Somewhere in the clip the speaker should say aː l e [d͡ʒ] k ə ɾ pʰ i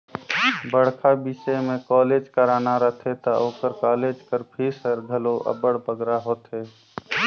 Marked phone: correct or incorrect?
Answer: correct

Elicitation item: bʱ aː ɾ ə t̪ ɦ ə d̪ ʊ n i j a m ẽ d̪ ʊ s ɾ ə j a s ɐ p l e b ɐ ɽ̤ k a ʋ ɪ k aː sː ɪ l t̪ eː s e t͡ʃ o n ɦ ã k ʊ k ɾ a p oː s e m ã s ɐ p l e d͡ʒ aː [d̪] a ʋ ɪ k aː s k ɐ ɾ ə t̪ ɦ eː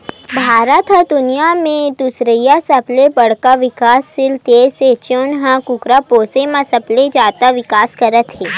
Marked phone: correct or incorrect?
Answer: incorrect: t̪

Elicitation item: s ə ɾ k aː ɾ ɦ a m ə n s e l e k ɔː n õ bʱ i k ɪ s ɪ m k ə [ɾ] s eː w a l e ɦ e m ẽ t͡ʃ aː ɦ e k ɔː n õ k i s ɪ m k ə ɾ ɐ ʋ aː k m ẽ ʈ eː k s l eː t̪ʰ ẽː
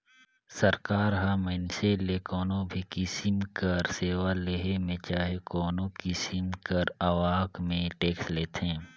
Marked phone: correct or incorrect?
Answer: correct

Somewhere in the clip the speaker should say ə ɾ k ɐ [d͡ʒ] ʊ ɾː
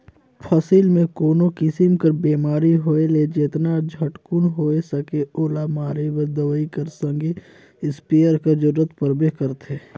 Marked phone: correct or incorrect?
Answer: correct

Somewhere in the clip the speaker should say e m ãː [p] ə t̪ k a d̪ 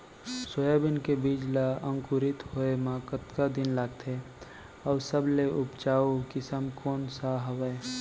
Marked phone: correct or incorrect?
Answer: incorrect: k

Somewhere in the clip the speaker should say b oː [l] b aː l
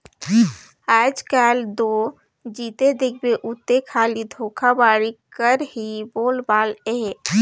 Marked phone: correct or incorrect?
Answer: correct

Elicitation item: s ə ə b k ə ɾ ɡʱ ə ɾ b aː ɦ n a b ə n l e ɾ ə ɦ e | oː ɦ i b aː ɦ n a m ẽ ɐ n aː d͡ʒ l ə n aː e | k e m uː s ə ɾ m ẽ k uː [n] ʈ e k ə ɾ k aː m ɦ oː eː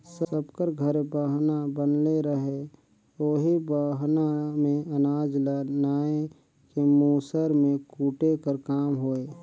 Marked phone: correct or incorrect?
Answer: incorrect: none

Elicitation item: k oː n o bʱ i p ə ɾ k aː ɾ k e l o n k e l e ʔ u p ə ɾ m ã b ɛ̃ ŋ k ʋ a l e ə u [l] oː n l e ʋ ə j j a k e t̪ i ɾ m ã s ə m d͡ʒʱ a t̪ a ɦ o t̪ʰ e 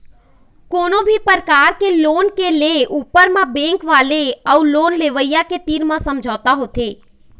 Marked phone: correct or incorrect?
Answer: correct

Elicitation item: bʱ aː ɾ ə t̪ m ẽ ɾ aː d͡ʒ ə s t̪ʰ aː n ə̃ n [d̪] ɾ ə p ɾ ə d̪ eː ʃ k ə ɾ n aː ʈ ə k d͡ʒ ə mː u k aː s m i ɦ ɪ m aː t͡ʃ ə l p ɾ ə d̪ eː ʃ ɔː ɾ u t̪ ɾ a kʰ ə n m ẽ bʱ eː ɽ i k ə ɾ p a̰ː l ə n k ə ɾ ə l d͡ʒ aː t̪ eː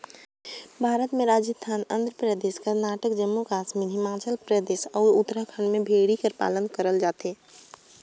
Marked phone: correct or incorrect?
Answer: correct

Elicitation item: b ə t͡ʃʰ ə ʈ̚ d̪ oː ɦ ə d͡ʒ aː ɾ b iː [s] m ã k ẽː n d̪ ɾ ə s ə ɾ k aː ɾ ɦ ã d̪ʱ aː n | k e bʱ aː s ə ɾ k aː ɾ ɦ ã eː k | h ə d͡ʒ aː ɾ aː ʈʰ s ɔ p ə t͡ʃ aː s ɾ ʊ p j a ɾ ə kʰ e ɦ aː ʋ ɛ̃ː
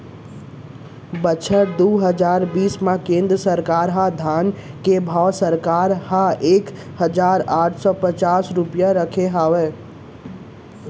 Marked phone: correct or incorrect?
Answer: correct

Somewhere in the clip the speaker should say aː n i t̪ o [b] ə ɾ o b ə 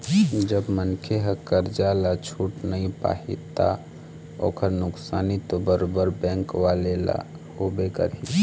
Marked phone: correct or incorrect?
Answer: correct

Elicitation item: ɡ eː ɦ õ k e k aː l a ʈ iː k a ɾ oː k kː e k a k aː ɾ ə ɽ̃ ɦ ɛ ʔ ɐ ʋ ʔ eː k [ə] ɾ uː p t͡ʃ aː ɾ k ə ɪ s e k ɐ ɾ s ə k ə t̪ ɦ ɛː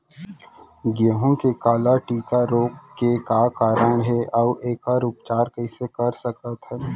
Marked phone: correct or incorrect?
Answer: incorrect: a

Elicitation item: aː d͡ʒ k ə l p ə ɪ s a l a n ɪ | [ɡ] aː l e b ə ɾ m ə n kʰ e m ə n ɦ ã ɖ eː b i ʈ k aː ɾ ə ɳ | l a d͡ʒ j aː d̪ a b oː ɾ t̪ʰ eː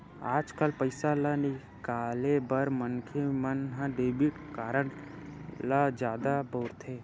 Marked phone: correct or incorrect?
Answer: incorrect: k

